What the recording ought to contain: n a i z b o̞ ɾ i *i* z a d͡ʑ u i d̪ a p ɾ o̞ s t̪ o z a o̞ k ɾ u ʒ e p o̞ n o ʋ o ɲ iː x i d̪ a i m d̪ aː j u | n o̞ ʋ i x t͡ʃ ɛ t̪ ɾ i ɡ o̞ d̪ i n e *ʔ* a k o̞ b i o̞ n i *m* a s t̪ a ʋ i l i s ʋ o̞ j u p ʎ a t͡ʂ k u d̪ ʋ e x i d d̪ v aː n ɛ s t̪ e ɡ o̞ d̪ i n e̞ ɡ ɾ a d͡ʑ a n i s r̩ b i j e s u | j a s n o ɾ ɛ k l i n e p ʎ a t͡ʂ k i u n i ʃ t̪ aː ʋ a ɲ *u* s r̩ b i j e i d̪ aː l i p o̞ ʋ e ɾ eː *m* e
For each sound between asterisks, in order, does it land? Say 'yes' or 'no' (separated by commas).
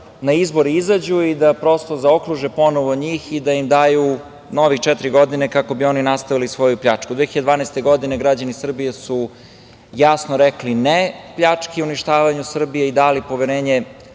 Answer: yes, no, no, yes, no